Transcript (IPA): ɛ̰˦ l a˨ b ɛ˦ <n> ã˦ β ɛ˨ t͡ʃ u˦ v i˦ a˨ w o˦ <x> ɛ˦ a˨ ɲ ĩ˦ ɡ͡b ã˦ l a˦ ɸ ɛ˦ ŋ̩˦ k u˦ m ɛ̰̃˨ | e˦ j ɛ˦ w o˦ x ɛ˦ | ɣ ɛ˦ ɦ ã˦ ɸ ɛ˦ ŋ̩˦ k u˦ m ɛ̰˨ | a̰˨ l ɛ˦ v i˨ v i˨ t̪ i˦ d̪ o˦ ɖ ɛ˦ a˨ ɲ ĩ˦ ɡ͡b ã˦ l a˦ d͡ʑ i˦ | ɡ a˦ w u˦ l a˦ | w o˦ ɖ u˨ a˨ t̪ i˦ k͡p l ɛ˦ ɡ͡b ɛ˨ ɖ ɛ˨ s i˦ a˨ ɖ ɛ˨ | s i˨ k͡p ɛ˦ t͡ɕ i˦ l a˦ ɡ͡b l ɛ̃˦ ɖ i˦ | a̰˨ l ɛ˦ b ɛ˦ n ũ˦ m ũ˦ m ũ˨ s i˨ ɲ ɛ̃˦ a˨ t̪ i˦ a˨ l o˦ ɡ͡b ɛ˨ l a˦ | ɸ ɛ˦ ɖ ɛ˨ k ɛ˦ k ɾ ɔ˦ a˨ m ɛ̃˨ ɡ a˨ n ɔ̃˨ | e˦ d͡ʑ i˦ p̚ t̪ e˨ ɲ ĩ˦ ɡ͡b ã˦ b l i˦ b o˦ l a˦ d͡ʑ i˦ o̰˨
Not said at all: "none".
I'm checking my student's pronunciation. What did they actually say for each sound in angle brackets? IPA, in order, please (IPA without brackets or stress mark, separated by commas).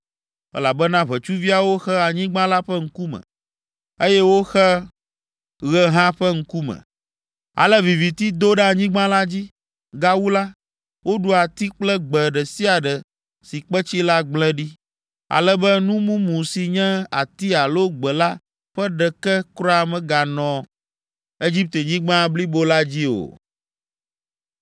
n, x